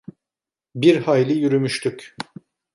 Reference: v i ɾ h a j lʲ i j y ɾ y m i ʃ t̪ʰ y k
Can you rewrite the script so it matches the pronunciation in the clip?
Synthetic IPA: b i ɾ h a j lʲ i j y ɾ y m y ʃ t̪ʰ y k